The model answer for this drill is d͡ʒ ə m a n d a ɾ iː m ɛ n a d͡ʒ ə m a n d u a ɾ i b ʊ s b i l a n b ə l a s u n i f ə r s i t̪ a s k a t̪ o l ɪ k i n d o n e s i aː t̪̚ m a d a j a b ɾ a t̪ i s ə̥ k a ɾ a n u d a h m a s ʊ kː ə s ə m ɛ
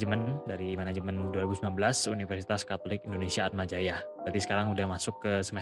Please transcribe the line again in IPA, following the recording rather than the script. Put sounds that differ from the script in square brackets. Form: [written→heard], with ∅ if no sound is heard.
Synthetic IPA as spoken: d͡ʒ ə m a n d a ɾ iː m [ɛ→a] n a d͡ʒ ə m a n d u a ɾ i b [ʊ→u] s [b→m] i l a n b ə l a s u n i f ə r s i t̪ a s k a t̪ o l ɪ k i n d o n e s i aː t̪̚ m a [d→d͡ʒ] a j a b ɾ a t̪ i s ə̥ k a ɾ a [n→ŋ] u d a h m a s ʊ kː ə s ə m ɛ